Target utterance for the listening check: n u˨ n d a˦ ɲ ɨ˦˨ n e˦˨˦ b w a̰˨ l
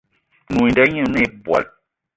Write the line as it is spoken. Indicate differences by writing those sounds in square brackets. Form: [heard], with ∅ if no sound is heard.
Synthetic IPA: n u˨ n d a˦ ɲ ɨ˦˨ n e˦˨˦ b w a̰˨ l

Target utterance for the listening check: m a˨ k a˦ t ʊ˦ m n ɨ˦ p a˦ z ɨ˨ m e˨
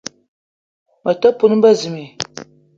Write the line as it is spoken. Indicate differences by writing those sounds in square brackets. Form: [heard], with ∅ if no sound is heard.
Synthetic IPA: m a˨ [t] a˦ [p] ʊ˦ [∅] n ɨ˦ [b] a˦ z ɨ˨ m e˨

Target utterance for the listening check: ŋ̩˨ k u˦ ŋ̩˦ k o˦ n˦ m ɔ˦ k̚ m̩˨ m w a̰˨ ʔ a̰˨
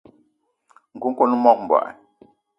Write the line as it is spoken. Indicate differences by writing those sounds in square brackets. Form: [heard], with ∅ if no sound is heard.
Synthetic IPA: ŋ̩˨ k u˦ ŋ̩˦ k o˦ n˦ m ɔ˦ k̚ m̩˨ [b] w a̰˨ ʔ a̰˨

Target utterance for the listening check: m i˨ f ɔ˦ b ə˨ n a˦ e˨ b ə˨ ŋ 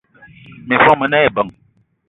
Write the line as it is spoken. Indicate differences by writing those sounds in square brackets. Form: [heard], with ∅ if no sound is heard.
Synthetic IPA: m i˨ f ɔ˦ [m] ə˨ n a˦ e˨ b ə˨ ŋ

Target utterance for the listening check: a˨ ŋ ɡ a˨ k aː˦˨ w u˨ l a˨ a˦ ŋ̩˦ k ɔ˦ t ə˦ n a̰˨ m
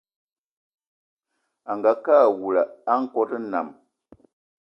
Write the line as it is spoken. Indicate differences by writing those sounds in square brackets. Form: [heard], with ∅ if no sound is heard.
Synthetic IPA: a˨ ŋ ɡ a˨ k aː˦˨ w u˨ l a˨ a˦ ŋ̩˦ k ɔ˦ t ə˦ n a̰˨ m

